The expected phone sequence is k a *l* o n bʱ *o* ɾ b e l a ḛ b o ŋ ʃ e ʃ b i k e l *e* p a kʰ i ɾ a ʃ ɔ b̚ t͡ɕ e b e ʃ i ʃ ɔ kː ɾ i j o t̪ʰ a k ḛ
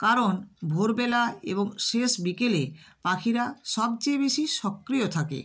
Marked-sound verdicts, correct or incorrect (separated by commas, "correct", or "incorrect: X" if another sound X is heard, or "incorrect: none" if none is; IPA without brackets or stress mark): incorrect: ɾ, correct, correct